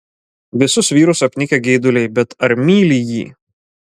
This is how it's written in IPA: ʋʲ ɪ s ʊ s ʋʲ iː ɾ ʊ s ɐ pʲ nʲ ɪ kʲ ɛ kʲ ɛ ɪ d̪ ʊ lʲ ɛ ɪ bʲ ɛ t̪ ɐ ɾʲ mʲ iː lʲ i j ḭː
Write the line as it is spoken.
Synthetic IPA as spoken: ʋʲ ɪ s ʊ s ʋʲ iː ɾ ʊ s ɐ pʲ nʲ ɪ kʲ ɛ ɡʲ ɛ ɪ d̪ ʊ lʲ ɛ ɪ bʲ ɛ t̪ ɐ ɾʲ mʲ iː lʲ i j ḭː

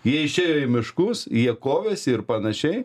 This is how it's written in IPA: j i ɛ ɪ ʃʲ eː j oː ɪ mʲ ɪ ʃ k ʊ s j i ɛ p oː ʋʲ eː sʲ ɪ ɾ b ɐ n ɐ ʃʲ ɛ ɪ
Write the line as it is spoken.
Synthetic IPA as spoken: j i ɛ ɪ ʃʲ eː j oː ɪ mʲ ɪ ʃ k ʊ s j i ɛ k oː ʋʲ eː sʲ ɪ ɾ p ɐ n ɐ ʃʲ ɛ ɪ

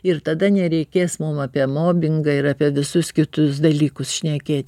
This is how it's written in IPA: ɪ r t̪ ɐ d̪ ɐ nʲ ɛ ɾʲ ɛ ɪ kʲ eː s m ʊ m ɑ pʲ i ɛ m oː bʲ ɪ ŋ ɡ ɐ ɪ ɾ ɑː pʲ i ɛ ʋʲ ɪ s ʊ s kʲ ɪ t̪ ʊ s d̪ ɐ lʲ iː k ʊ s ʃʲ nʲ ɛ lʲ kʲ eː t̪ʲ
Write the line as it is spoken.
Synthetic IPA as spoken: ɪ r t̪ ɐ d̪ ɐ nʲ ɛ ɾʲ ɛ ɪ kʲ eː s m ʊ m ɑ pʲ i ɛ m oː bʲ ɪ ŋ ɡ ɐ ɪ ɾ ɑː pʲ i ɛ ʋʲ ɪ s ʊ s kʲ ɪ t̪ ʊ s d̪ ɐ lʲ iː k ʊ s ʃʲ nʲ ɛ kʲ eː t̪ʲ

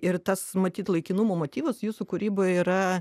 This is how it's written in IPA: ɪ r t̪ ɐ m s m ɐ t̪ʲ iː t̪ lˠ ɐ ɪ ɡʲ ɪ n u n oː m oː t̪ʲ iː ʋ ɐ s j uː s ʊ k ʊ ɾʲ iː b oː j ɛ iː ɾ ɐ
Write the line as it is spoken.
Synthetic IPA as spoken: ɪ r t̪ ɐ s m ɐ t̪ʲ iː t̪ lˠ ɐ ɪ kʲ ɪ n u m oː m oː t̪ʲ iː ʋ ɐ s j uː s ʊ k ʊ ɾʲ iː b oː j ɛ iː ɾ ɐ

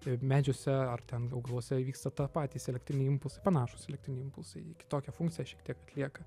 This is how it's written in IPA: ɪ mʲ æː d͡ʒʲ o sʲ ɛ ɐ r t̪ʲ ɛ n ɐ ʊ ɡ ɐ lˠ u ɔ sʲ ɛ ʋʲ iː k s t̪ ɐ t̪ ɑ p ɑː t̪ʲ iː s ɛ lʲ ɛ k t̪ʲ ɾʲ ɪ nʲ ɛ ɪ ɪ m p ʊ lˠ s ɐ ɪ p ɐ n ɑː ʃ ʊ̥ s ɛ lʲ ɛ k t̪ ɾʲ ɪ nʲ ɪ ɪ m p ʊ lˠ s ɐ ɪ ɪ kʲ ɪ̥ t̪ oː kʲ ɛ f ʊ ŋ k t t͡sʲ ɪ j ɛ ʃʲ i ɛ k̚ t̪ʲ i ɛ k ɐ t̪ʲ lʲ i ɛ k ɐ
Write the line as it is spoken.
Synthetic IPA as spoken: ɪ mʲ æː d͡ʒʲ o sʲ ɛ ɐ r t̪ʲ ɛ n ɐ ʊ ɡ ɐ lˠ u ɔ sʲ ɛ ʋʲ iː k s t̪ ɐ t̪ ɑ p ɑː t̪ʲ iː s ɛ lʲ ɛ k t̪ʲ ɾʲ ɪ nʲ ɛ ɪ ɪ m p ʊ lˠ s ɐ ɪ p ɐ n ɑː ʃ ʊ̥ s ɛ lʲ ɛ k t̪ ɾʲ ɪ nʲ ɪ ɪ m p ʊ lˠ s ɐ ɪ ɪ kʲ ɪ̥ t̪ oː kʲ ɛ f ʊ ŋ k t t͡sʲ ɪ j ɛ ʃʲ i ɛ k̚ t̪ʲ i ɛ k ɐ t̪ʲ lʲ i ɛ k ɐ

